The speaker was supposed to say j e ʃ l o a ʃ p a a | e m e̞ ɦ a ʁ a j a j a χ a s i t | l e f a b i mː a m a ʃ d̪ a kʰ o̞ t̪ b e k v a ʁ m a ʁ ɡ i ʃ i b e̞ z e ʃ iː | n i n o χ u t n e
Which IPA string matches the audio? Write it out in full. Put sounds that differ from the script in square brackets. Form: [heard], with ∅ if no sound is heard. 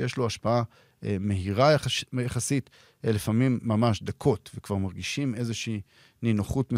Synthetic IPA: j e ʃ l o a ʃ p a a | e m e̞ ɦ [i] ʁ a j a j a χ a s i t | l e f a [m] i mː a m a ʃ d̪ a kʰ o̞ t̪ [v] e k v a ʁ m a ʁ ɡ i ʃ i [m] e̞ z e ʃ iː | n i n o χ u t [m] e